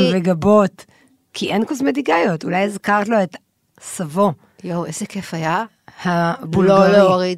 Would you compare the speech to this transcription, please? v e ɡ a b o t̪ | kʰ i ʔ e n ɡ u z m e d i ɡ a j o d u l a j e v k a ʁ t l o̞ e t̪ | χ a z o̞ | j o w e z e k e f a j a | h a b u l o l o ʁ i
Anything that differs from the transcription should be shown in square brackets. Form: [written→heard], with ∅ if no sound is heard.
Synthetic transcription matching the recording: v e ɡ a b o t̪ | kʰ i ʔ e n [ɡ→k] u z m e d i ɡ a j o [d→t] u l a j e [v→z] k a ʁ t l o̞ e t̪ | [χ→s] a [z→v] o̞ | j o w e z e k e f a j a | h a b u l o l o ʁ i